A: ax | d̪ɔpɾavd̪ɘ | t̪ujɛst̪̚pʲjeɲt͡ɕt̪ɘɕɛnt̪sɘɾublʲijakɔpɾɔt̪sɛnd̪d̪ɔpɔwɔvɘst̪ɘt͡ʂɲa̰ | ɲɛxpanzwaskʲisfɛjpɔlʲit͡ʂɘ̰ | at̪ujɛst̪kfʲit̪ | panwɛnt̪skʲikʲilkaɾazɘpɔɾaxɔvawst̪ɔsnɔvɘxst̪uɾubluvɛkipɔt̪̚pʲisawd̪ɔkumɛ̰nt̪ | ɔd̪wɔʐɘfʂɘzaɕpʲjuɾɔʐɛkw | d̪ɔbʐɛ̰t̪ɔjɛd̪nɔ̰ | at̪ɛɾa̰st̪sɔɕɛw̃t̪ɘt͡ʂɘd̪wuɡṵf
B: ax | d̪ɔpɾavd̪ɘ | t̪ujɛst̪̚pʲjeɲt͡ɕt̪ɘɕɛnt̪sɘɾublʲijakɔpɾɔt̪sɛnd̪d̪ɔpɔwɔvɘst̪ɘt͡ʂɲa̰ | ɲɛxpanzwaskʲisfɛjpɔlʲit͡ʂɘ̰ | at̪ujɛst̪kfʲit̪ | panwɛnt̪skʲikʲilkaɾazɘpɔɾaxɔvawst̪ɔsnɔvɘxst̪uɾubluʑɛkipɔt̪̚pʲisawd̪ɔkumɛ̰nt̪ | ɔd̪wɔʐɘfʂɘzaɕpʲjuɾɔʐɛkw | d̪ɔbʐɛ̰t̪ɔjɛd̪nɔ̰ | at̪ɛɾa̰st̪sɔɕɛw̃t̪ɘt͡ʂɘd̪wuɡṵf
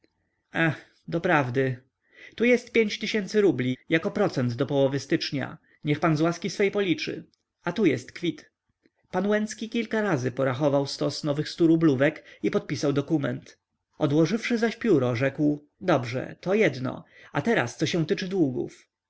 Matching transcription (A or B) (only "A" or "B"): A